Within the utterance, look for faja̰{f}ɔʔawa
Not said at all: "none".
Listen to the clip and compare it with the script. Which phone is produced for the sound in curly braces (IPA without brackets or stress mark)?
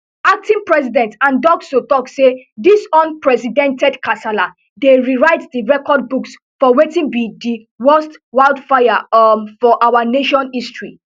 f